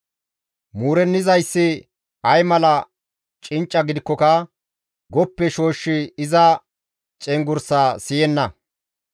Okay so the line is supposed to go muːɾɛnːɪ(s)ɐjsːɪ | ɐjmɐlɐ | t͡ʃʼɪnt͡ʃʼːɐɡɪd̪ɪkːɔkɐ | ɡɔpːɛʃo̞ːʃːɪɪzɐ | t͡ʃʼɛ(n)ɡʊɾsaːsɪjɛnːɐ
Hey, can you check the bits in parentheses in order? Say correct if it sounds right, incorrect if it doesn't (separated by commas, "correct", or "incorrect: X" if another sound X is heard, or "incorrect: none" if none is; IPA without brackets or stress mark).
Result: incorrect: z, incorrect: ŋ